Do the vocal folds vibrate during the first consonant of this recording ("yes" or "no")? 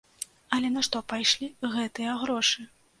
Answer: yes